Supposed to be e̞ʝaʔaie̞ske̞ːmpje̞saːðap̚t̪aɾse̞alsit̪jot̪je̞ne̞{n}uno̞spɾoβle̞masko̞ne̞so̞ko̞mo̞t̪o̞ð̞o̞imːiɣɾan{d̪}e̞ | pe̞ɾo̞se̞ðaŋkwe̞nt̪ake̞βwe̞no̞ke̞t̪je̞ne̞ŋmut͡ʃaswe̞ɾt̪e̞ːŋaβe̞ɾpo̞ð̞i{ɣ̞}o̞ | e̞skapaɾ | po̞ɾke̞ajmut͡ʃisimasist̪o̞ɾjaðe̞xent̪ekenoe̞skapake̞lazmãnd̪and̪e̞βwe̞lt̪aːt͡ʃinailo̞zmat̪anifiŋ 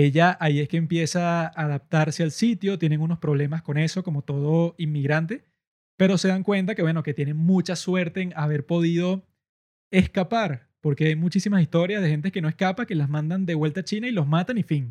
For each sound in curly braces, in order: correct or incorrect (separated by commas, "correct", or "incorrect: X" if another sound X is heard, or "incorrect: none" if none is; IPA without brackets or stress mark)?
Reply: incorrect: ŋ, incorrect: t̪, incorrect: ð̞